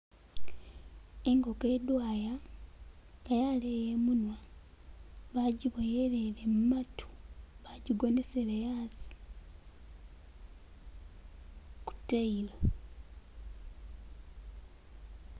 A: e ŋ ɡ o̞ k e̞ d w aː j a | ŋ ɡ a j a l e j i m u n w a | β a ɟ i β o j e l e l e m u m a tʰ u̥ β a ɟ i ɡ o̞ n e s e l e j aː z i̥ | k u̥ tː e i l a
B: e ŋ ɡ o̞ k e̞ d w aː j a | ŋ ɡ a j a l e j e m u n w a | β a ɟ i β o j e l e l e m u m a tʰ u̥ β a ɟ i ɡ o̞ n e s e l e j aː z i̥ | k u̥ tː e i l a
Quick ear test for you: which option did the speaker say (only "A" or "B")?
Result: B